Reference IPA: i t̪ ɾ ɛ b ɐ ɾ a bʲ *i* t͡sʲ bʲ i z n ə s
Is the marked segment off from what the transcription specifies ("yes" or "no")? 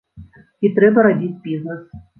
no